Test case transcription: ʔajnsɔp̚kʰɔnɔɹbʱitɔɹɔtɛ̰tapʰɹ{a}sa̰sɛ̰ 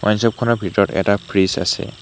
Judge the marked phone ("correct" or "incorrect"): incorrect